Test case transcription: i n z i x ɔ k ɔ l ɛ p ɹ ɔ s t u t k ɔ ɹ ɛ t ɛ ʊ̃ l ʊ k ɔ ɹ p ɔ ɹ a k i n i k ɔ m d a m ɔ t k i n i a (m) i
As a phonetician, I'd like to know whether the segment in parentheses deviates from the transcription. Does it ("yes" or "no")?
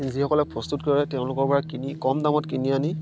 yes